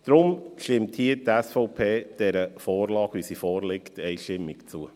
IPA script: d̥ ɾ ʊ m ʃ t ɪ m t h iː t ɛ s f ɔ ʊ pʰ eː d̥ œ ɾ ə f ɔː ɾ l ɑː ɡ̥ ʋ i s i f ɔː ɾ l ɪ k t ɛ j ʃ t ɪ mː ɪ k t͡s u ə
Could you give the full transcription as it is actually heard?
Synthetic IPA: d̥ ɾ ʊ m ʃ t ɪ m t h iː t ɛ s f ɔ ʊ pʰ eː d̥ ɛ ɾ ə f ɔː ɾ l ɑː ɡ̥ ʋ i s i f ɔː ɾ l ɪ k t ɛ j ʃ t ɪ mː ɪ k t͡s u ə